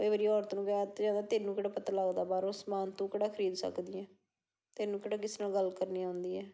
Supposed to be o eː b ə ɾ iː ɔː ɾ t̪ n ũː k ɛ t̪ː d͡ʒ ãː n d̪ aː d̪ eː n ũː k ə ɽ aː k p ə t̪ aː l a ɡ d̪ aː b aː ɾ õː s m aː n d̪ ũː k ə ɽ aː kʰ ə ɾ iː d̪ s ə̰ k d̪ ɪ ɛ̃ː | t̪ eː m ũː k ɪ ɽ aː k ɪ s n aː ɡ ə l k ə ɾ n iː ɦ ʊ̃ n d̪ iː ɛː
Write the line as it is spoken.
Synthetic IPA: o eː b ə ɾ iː ɔː ɾ t̪ n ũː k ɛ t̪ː d͡ʒ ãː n d̪ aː t̪ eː n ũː k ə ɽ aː p ə t̪ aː l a ɡ d̪ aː b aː ɾ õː s m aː n t̪ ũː k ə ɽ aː kʰ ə ɾ iː d̪ s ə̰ k d̪ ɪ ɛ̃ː | t̪ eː n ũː k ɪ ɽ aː k ɪ s n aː ɡ ə l k ə ɾ n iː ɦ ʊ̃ n d̪ iː ɛː